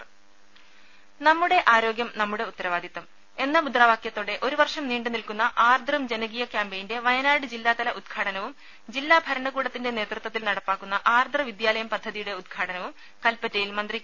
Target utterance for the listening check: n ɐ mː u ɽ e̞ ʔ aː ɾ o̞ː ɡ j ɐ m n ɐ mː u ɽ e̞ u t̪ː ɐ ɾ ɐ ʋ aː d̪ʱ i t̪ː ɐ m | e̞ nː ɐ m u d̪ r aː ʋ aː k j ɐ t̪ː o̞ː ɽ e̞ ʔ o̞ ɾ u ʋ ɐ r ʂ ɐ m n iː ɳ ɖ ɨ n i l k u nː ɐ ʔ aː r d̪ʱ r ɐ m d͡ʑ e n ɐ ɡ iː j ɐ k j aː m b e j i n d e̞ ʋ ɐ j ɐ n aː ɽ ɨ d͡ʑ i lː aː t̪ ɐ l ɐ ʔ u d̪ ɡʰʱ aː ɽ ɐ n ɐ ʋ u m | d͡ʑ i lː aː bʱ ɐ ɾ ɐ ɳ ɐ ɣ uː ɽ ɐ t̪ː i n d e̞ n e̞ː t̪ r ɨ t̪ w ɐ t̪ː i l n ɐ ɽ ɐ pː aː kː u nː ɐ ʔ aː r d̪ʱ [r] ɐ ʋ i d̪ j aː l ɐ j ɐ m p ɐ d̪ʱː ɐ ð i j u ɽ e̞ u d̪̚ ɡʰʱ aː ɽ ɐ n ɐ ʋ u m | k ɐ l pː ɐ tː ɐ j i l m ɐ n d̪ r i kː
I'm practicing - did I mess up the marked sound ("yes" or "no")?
no